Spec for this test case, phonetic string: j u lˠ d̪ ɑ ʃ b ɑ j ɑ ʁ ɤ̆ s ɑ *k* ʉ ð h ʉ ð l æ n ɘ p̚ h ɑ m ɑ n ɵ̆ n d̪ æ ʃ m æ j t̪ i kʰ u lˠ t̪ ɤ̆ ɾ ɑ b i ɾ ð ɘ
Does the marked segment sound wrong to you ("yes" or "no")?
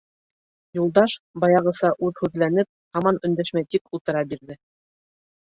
yes